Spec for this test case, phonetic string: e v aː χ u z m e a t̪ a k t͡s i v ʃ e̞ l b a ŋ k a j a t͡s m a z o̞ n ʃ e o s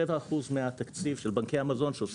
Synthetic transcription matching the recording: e v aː χ u z m e a t̪ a k t͡s i v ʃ e̞ l b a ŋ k e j a m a z o̞ n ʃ e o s